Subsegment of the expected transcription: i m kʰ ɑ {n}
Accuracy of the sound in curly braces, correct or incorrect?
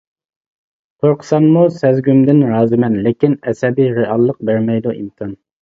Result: correct